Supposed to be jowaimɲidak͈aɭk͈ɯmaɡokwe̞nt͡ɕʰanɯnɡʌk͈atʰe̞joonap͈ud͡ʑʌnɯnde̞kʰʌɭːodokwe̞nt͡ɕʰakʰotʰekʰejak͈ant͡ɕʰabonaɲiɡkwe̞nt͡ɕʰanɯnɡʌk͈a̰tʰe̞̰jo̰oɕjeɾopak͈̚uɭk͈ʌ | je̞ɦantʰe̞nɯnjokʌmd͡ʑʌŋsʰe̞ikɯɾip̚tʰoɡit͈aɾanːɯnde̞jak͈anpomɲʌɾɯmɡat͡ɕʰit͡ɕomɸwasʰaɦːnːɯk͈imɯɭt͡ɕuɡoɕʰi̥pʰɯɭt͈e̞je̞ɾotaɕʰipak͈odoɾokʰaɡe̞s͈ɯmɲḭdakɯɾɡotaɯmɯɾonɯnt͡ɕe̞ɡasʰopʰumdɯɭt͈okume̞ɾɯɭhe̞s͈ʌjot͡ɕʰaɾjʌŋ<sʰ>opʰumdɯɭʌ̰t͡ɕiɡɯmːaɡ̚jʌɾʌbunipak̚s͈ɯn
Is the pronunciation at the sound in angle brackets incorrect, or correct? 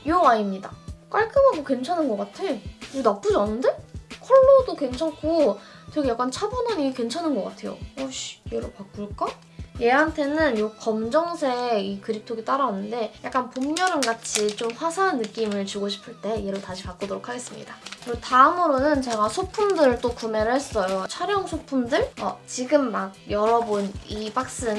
correct